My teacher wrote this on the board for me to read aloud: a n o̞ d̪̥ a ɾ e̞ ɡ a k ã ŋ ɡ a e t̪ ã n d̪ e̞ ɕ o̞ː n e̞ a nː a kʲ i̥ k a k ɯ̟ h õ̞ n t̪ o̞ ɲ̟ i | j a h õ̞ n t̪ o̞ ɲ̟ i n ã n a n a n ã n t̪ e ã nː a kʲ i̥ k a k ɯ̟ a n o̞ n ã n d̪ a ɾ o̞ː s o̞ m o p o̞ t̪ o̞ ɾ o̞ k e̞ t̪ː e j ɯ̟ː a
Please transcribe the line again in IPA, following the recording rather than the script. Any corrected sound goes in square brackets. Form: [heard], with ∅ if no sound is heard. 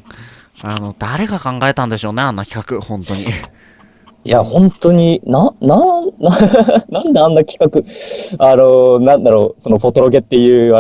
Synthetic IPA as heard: a n o̞ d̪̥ a ɾ e̞ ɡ a k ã ŋ ɡ a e t̪ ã n d̪ e̞ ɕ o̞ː n e̞ a nː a kʲ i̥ k a k ɯ̟ h õ̞ n t̪ o̞ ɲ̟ i | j a h õ̞ n t̪ o̞ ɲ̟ i n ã n a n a n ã n [d̪] e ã nː a kʲ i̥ k a k ɯ̟ a n o̞ n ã n d̪ a ɾ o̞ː s o̞ [n] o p o̞ t̪ o̞ ɾ o̞ [ɡ] e̞ t̪ː e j ɯ̟ː a